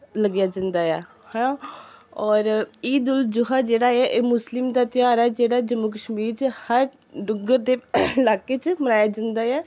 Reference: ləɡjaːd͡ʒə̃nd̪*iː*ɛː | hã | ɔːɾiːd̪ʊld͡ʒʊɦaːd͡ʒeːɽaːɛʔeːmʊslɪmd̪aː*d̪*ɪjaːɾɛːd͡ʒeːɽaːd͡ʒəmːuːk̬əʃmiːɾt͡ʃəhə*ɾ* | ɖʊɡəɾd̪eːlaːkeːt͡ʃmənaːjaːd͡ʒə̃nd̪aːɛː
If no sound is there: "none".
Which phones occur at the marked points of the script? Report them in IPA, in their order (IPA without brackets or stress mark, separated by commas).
aː, t̪, ɾ